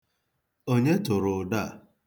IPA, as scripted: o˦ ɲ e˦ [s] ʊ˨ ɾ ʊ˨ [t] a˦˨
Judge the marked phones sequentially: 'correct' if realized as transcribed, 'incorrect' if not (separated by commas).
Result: incorrect, incorrect